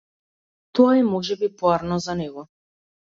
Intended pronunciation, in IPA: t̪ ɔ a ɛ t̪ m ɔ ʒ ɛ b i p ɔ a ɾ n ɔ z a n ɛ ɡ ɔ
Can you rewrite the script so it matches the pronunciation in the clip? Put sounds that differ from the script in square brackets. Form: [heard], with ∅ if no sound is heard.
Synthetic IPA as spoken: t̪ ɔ a ɛ [∅] m ɔ ʒ ɛ b i p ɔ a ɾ n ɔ z a n ɛ ɡ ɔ